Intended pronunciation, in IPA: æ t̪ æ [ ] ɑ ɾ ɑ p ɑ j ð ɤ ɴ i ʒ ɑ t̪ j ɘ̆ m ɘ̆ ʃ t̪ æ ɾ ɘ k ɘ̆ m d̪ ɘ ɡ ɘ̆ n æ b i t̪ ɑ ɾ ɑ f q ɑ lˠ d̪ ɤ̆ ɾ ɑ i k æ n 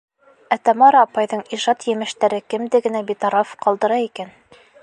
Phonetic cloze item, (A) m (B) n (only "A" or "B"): A